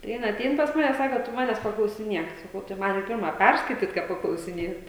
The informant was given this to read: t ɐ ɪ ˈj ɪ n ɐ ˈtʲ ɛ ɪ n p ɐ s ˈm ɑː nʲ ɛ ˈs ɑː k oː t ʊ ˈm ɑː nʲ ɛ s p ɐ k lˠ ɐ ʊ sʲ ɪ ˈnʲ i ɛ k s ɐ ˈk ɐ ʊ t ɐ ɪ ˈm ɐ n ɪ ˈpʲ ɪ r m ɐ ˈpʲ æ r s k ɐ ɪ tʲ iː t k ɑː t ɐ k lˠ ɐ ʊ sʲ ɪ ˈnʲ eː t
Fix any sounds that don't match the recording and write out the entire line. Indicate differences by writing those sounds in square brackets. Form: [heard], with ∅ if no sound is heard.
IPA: t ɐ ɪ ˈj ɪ n ɐ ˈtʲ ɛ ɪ n p ɐ s ˈm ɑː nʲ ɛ ˈs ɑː k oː t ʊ ˈm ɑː nʲ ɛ s p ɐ k lˠ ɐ ʊ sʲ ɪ ˈnʲ i ɛ k s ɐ ˈk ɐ ʊ t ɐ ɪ ˈm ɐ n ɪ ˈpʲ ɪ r m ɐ ˈpʲ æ r s k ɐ ɪ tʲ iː t k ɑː [p] ɐ k lˠ ɐ ʊ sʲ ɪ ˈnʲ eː t